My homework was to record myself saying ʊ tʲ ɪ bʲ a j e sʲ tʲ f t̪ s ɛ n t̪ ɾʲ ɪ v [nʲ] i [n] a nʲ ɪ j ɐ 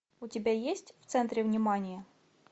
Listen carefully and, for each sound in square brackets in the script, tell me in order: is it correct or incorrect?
correct, incorrect: m

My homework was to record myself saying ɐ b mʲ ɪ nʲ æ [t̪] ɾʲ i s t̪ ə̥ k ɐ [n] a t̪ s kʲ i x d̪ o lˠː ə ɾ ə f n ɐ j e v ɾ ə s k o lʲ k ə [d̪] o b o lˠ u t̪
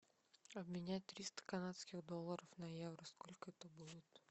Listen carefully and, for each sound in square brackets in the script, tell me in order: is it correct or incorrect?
correct, correct, incorrect: t̪

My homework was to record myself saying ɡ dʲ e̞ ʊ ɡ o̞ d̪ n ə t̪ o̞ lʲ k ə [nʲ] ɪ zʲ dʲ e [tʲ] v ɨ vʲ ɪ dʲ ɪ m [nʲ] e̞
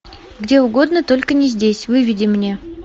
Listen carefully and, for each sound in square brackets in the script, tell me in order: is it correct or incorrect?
correct, incorrect: sʲ, correct

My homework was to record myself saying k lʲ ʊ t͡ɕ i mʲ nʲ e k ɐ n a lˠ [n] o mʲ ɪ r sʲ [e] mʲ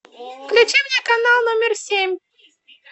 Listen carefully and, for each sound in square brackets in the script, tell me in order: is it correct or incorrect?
correct, correct

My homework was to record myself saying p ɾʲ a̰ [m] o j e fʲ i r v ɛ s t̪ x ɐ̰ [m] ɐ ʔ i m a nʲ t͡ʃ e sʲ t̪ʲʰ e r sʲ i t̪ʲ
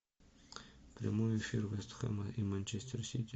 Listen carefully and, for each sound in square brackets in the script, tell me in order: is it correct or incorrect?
correct, correct

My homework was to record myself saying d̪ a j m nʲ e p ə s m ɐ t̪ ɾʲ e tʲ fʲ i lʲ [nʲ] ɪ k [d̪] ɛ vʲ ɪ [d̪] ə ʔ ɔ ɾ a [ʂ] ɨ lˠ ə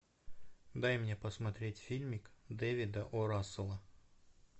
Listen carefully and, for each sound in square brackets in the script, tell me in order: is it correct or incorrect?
incorrect: mʲ, correct, correct, incorrect: s

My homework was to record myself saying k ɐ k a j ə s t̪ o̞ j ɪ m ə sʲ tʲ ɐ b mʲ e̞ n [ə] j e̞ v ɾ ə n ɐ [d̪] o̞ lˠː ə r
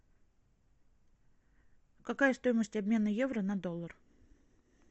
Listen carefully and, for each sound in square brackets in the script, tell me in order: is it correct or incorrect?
correct, correct

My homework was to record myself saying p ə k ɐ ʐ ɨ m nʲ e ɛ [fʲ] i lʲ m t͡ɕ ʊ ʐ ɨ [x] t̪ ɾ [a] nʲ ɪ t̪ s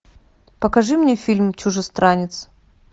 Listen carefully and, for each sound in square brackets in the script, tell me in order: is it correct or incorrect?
correct, incorrect: s, correct

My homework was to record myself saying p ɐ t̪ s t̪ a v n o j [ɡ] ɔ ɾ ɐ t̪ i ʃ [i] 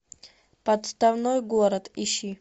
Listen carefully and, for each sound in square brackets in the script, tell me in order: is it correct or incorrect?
correct, correct

